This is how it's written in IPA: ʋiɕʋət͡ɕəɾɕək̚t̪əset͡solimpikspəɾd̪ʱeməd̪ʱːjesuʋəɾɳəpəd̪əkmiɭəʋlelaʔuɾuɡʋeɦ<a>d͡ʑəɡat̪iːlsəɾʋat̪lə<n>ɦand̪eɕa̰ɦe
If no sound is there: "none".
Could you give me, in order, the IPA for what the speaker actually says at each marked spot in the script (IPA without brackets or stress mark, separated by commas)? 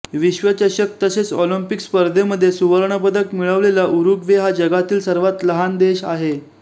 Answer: a, none